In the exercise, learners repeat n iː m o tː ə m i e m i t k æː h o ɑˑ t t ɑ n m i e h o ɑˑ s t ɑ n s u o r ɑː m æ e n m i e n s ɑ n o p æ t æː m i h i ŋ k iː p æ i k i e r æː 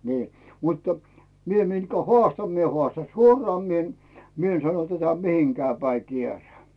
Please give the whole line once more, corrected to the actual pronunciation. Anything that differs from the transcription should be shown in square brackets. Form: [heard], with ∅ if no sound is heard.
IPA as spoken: n iː m [u] tː ə m i e m i t k [æ] h o ɑˑ [s] t ɑ n m i e h o ɑˑ s t ɑ n s u o r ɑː m [i] e n m i e n s ɑ n o [t] æ t [æ] m i h i ŋ k [æː] p æ i k i e r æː